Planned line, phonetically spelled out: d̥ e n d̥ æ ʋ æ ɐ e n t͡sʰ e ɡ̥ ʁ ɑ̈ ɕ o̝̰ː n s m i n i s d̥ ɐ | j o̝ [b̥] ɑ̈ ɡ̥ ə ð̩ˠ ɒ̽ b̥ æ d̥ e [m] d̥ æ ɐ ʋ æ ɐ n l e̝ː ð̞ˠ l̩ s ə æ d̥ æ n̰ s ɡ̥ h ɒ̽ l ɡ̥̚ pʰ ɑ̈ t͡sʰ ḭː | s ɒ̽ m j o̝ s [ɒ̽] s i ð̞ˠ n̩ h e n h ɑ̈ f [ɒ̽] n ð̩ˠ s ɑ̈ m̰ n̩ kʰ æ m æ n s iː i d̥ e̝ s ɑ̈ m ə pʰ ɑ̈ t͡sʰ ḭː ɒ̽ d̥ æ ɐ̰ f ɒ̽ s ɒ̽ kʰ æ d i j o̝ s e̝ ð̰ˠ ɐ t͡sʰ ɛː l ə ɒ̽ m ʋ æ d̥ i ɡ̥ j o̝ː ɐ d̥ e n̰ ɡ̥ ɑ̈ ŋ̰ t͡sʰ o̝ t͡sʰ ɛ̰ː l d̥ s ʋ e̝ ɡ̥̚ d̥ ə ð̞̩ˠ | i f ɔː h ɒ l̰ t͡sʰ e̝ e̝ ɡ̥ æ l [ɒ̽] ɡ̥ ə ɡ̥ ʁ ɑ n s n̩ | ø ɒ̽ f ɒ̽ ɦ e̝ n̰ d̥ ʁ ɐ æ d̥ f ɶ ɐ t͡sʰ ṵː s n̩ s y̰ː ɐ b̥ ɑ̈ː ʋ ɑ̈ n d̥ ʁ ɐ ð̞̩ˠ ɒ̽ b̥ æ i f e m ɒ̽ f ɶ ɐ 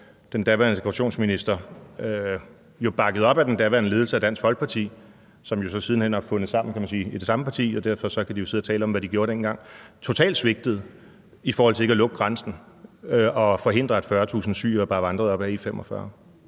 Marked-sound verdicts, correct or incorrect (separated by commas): correct, incorrect, correct, incorrect, incorrect